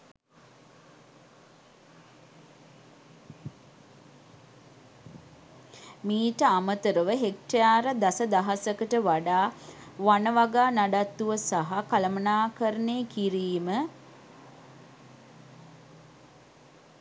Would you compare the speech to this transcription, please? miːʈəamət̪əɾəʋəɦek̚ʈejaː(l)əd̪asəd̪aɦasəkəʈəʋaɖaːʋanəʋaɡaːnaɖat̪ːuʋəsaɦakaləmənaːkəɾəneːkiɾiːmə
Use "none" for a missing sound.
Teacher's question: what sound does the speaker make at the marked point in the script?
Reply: ɾ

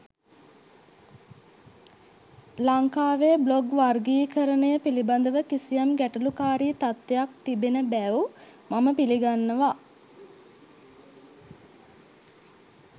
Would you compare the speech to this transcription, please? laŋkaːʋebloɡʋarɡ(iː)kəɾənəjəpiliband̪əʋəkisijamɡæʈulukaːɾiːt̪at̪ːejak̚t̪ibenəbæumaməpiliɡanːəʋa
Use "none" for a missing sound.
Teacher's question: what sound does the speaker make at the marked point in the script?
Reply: iː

